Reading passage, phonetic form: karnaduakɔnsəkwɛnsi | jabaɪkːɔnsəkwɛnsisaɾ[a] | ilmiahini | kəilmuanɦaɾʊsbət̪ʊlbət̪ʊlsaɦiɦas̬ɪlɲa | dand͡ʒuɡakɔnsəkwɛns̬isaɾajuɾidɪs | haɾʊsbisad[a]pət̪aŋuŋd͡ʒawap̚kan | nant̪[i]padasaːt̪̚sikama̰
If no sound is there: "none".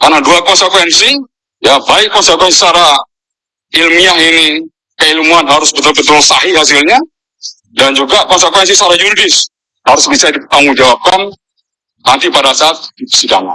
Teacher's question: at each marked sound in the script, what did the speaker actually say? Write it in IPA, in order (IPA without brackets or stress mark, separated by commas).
a, i, i